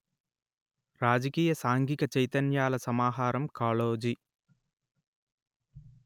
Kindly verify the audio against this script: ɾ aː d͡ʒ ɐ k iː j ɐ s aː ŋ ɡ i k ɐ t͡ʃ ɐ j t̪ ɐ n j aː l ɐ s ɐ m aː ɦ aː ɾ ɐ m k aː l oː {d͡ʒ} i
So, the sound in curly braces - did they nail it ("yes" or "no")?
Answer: yes